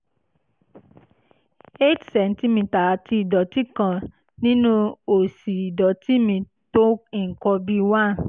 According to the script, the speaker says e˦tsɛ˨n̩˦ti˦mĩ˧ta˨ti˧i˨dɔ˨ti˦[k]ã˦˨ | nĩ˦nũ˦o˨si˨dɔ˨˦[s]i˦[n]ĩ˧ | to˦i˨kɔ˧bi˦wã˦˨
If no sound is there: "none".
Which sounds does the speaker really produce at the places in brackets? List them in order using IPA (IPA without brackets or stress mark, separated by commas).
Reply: k, t, m